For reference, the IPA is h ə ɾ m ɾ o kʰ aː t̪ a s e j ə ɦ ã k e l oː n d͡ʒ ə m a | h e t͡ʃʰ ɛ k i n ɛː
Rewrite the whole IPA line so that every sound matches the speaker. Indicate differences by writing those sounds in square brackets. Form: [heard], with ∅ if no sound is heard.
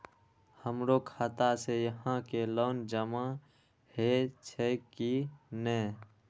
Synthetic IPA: h ə [∅] m ɾ o kʰ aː t̪ a s e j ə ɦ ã k e l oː n d͡ʒ ə m a | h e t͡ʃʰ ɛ k i n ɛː